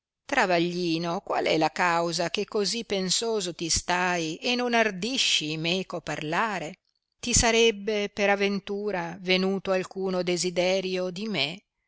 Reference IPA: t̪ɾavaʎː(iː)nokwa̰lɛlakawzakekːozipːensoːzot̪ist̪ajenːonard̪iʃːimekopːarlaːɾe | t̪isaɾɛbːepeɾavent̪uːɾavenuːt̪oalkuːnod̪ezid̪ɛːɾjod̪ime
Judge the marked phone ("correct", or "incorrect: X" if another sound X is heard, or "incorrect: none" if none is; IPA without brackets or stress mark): correct